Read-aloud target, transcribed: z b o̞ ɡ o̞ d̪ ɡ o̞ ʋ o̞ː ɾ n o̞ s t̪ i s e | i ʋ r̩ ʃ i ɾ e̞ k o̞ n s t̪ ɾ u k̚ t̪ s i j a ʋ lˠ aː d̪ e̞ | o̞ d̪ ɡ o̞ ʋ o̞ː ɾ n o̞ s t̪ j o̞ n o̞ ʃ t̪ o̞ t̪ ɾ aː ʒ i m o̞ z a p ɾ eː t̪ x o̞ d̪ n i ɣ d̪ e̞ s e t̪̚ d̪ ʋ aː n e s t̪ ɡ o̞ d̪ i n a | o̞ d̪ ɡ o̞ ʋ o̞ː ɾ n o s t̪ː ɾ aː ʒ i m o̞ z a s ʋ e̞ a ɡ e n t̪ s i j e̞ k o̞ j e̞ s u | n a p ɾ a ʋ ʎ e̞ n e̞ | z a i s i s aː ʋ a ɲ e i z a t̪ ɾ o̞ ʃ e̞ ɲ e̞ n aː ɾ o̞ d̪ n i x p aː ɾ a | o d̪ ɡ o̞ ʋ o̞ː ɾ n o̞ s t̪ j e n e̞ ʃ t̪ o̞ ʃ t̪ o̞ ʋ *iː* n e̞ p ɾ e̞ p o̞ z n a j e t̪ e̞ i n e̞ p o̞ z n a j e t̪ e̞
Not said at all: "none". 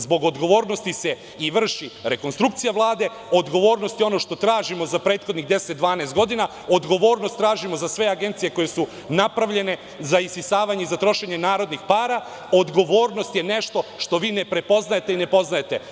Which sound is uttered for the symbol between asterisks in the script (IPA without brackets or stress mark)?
iː